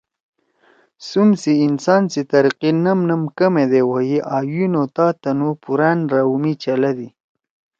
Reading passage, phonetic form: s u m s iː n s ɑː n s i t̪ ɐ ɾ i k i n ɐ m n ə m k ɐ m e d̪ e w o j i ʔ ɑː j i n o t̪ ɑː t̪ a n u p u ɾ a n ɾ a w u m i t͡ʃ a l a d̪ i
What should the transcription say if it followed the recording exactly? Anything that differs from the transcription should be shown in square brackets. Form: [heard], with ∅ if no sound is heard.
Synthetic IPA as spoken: s u m s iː n s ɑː n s i t̪ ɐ ɾ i [q] i n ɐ m n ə m k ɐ m e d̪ e w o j i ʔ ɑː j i n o t̪ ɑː t̪ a n u p u ɾ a n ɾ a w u m i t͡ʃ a l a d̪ i